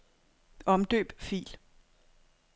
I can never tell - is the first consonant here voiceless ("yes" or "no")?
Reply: no